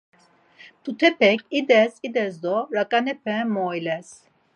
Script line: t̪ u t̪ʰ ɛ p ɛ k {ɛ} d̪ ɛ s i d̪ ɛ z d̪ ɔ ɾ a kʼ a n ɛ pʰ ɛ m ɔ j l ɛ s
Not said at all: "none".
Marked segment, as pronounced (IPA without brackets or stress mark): i